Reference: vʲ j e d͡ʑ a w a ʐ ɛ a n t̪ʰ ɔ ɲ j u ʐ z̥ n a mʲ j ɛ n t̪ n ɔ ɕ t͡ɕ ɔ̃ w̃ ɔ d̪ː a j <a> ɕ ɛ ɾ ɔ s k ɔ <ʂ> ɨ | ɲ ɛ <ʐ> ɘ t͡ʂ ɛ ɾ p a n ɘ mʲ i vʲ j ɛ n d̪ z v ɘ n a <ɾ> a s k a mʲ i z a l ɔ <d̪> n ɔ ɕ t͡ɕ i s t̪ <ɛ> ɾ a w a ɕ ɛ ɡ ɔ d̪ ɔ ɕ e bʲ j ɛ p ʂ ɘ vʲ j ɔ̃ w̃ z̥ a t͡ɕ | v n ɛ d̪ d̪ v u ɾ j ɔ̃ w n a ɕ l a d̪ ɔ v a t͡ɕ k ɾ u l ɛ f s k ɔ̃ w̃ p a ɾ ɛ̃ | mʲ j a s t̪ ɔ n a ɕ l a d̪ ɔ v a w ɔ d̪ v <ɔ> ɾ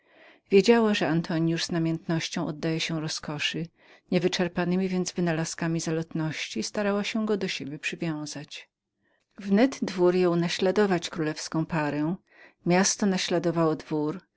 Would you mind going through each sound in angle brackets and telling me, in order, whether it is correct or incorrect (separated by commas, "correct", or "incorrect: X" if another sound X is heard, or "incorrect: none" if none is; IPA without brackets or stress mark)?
incorrect: ɛ, correct, incorrect: v, incorrect: l, incorrect: t̪, incorrect: a, incorrect: u